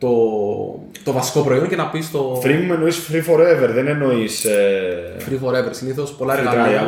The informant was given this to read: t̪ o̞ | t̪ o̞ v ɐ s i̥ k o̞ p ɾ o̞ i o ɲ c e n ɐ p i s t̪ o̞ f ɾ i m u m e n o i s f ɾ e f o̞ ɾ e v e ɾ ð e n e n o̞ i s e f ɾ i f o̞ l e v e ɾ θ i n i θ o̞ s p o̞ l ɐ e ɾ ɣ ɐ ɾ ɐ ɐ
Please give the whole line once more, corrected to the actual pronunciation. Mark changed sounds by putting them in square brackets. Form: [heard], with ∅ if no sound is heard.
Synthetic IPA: t̪ o̞ | t̪ o̞ v ɐ s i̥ k o̞ p ɾ o̞ i o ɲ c e n ɐ p i s t̪ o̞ f ɾ i m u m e n o i s f ɾ [i] f o̞ ɾ e v e ɾ ð e n e n o̞ i s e f ɾ i f o̞ [ɾ] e v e ɾ [s] i n i θ o̞ s p o̞ l ɐ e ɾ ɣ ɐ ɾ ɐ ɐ